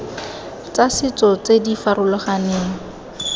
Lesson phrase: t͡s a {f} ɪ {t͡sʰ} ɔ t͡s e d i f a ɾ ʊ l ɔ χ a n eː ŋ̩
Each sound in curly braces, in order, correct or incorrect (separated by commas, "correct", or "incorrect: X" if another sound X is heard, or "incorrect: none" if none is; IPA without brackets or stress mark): incorrect: s, incorrect: t͡s